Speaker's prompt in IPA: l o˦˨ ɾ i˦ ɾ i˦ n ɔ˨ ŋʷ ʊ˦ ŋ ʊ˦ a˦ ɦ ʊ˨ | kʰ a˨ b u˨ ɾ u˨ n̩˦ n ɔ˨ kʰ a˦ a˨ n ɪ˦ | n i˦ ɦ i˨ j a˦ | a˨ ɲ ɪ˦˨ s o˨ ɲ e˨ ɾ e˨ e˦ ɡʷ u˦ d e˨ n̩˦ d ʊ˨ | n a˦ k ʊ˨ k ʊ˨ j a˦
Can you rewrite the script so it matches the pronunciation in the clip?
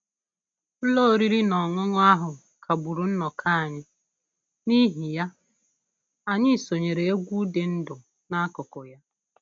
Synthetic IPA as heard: l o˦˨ ɾ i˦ ɾ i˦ n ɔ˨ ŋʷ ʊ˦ ŋ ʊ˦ a˦ ɦ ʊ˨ | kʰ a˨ b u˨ ɾ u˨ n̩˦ n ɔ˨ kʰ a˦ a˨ ɲ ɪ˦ | n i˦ ɦ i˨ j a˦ | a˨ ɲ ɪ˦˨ s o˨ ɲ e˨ ɾ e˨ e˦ ɡʷ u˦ d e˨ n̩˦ d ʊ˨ | n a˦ k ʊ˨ k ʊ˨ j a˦

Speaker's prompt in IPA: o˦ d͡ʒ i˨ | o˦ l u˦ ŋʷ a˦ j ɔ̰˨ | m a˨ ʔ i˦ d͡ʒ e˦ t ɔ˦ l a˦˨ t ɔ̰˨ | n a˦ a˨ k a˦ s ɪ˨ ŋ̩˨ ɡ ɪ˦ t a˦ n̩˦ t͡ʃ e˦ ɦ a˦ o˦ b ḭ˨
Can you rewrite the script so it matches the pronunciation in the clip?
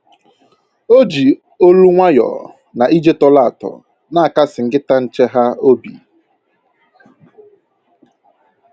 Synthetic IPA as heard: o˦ d͡ʒ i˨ | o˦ l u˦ ŋʷ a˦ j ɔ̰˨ | n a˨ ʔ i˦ d͡ʒ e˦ t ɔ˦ l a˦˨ t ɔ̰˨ | n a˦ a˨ k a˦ s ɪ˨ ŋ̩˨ ɡ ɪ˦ t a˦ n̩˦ t͡ʃ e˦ ɦ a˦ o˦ b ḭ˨

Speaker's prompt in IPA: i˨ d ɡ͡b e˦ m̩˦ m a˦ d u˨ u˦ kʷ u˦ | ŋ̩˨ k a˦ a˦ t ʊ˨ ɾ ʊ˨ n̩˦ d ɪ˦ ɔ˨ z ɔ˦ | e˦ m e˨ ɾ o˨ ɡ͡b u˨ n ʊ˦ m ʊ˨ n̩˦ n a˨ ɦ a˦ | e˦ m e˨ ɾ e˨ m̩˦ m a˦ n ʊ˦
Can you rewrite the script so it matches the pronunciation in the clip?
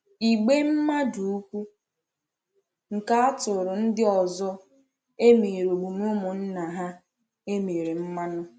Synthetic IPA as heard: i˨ ɡ͡b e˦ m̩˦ m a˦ d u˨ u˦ kʷ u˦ | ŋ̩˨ k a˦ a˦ t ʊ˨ ɾ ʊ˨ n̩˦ d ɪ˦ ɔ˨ z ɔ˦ | e˦ m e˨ ɾ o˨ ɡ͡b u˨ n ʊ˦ m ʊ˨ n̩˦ n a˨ ɦ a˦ | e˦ m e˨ ɾ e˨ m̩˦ m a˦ n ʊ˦

